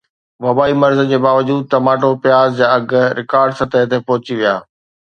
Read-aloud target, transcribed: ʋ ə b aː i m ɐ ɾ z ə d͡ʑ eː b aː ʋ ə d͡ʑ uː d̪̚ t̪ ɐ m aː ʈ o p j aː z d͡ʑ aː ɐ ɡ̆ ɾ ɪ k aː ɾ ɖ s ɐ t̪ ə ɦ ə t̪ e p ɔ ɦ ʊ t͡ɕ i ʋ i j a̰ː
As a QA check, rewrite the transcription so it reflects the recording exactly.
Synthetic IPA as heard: ʋ ɐ b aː i m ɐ ɾ z ə d͡ʑ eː b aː ʋ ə d͡ʑ uː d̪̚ t̪ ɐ m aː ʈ o p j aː z d͡ʑ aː ɐ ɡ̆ ɾ ɪ k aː ɾ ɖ s ɐ t̪ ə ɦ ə t̪ e p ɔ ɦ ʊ t͡ɕ i ʋ i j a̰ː

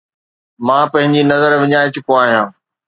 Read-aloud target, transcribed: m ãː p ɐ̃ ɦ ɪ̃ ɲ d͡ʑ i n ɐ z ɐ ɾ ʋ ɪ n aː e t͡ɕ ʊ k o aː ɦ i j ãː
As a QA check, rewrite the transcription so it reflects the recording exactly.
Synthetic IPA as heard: m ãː p ɐ̃ ɦ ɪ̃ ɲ d͡ʑ i n ɐ z ə ɾ ʋ ɪ ɲ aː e t͡ɕ ʊ k o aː ɦ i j ãː

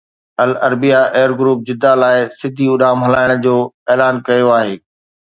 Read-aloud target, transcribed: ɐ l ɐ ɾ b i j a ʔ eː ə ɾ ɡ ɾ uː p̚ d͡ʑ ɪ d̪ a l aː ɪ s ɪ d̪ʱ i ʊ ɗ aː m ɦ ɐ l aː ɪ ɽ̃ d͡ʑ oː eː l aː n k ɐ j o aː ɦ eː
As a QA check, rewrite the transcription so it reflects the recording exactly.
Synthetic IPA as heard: ɐ l ɐ ɾ b i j a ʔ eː ə ɾ ɡ ɾ uː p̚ d͡ʑ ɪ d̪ a l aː ɪ s ɪ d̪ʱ i ʊ ɗ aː m ɦ ɐ l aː ɪ ɽ̃ d͡ʑ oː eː l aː n k ɐ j o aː ɦ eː

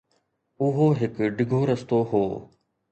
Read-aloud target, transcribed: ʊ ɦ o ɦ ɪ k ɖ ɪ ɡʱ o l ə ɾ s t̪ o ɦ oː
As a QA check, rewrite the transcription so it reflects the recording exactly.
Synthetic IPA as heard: ʊ ɦ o ɦ ɪ k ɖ ɪ ɡʱ o ɾ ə s t̪ o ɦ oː

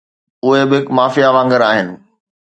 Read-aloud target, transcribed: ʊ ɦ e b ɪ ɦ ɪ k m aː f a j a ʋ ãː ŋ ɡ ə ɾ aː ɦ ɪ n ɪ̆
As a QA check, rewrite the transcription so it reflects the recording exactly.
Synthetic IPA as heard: ʊ ɦ e b ɪ ɦ ɪ k m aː f i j a ʋ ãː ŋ ɡ ə ɾ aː ɦ ɪ n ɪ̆

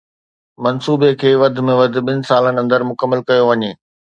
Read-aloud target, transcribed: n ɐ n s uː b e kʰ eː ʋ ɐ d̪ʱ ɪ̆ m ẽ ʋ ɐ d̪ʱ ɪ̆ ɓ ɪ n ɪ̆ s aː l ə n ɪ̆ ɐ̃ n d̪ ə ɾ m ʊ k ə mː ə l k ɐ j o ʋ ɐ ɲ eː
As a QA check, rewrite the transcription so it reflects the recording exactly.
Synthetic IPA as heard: m ɐ n s uː b e kʰ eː ʋ ɐ d̪ʱ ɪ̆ m ẽ ʋ ɐ d̪ʱ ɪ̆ ɓ ɪ n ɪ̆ s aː l ə n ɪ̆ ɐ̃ n d̪ ə ɾ m ʊ k ə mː ə l k ɐ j o ʋ ɐ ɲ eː

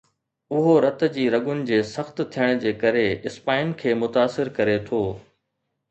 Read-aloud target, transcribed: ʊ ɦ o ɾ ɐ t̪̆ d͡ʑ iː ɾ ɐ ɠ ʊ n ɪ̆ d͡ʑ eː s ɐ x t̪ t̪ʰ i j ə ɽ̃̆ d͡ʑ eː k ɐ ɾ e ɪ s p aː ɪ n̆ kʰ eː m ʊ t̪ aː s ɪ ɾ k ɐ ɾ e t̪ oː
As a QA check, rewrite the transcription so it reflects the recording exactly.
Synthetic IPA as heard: ʊ ɦ o ɾ ɐ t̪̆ d͡ʑ iː ɾ ɐ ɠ ʊ n ɪ̆ d͡ʑ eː s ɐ x t̪ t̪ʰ i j ə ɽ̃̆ d͡ʑ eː k ɐ ɾ e ɪ s p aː ɪ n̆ kʰ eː m ʊ t̪ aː s ɪ ɾ k ɐ ɾ e t̪ʰ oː

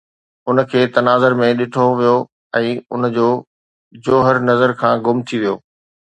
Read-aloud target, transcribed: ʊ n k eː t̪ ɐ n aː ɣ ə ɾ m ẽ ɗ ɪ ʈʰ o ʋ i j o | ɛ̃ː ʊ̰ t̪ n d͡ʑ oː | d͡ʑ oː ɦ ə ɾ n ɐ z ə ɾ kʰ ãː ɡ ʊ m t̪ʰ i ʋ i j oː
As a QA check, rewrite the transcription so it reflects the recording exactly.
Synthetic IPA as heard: ʊ n kʰ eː t̪ ɐ n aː z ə ɾ m ẽ ɗ ɪ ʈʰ o ʋ i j o | ɛ̃ː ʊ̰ n d͡ʑ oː | d͡ʑ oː ɦ ə ɾ n ɐ z ə ɾ kʰ ãː ɡ ʊ m t̪ʰ i ʋ i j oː

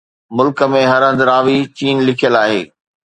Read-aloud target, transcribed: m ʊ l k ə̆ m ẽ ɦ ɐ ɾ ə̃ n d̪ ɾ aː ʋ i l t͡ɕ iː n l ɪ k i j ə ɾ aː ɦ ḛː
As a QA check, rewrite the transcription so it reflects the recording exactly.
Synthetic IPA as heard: m ʊ l k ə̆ m ẽ ɦ ɐ ɾ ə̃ n d̪ ɾ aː ʋ i t͡ɕ iː n l ɪ kʰ i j ə l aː ɦ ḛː

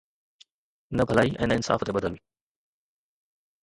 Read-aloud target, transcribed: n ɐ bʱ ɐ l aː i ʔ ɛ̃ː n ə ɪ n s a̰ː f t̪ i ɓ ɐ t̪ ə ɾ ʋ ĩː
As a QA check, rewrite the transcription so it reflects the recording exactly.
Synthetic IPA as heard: n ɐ bʱ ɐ l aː i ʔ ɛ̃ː n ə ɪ n s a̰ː f t̪ e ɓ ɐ d̪ ə l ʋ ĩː

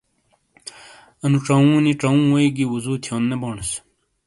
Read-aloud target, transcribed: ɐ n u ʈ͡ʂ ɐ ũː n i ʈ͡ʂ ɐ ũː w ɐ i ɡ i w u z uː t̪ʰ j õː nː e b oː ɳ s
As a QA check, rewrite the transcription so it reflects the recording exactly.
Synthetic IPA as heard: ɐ n u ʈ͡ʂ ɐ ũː n i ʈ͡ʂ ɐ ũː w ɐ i ɡ i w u z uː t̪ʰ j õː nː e b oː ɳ s

